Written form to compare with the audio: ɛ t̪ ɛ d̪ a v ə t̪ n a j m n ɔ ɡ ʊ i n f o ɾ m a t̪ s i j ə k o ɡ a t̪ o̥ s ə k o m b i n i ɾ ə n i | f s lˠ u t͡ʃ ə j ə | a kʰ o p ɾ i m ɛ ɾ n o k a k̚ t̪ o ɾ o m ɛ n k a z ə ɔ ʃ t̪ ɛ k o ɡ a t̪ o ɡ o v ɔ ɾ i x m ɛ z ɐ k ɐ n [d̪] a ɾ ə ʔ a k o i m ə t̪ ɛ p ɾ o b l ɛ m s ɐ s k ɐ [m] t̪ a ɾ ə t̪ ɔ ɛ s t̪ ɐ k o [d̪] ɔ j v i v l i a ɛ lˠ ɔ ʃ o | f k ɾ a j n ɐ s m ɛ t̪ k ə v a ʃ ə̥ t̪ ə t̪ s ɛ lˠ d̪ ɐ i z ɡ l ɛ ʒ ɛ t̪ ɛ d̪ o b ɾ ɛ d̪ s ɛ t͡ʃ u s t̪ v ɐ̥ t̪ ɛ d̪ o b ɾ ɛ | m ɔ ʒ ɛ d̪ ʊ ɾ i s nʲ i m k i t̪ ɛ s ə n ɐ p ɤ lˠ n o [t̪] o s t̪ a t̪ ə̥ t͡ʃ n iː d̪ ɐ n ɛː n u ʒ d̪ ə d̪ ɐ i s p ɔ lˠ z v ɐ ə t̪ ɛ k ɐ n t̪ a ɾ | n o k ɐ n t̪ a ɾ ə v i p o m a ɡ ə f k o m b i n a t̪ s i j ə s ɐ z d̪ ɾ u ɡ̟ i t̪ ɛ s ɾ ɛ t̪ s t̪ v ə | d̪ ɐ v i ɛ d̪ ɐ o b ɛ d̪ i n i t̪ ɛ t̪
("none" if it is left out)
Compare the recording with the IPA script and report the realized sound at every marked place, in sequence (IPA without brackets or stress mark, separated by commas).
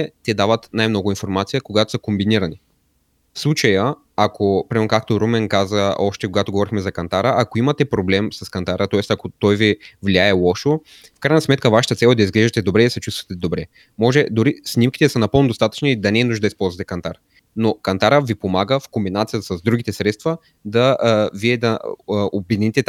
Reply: t̪, n, t̪, d̪